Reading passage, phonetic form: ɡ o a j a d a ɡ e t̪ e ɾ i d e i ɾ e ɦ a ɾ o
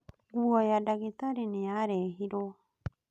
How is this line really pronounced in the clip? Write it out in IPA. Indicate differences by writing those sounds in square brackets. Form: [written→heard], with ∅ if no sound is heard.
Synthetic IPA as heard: ɡ [o→u] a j a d a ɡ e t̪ [e→a] ɾ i [d→n] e [i→a] ɾ e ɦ [a→i] ɾ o